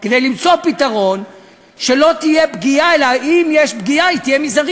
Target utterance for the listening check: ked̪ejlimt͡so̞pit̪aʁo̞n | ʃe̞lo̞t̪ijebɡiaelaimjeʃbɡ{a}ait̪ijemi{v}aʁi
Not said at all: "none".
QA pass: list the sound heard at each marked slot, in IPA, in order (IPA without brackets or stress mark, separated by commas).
i, z